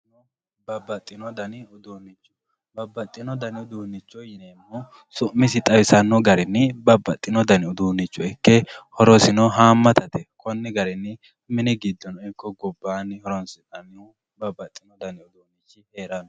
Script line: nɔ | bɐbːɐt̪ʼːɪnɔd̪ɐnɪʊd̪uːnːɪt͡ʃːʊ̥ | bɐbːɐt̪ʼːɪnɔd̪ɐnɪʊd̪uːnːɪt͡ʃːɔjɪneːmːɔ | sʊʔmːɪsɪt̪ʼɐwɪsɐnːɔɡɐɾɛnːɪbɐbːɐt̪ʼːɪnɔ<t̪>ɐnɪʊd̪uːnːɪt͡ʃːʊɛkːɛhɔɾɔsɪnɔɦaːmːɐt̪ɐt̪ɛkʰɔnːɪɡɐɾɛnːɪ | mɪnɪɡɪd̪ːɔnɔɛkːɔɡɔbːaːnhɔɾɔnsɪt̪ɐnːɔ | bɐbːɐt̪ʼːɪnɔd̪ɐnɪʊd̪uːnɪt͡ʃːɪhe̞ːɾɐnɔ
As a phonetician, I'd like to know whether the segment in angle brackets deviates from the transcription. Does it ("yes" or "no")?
yes